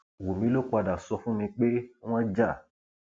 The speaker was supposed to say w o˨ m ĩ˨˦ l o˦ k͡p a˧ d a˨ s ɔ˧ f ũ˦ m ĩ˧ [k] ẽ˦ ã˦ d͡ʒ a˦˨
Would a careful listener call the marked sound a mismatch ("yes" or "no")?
yes